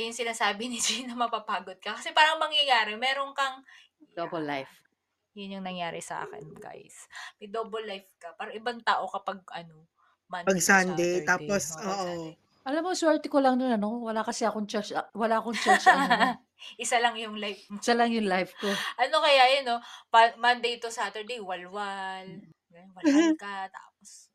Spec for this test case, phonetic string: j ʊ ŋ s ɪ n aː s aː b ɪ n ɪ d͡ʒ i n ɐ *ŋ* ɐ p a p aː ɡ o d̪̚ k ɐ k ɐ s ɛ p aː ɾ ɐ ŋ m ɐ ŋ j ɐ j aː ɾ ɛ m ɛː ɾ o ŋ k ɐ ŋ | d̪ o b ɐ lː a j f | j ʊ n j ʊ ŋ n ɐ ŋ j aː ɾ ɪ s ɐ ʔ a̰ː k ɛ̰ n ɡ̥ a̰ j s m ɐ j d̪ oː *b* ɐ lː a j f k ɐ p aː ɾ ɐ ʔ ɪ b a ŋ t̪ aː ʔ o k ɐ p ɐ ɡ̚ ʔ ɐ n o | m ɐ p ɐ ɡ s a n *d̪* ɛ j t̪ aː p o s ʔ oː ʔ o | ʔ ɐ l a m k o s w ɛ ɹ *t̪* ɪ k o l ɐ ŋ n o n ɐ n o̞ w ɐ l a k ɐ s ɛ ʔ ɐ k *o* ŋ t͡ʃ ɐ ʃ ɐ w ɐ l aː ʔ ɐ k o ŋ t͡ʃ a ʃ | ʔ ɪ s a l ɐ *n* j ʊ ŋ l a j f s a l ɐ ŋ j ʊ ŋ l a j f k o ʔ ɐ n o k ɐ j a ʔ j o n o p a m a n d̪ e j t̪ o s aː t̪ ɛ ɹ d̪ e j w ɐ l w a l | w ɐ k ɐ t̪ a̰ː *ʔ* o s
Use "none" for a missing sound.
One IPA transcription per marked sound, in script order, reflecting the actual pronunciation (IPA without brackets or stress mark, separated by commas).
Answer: m, b, d̪, t̪, o, ŋ, p